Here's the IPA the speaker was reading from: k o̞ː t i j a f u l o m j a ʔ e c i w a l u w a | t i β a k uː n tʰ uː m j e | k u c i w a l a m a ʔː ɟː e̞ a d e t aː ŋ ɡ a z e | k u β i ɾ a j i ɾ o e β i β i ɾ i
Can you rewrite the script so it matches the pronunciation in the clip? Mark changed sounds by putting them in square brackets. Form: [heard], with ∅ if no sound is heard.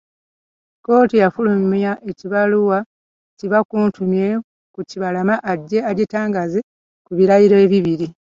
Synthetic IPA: k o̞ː t i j a f u l [u] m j a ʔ e c i [β] a l u w a | [c] i β a k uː n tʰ [u] m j e | k u c i [β] a l a m a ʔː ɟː e̞ a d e t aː ŋ ɡ a z e | k u β i ɾ a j i ɾ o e β i β i ɾ i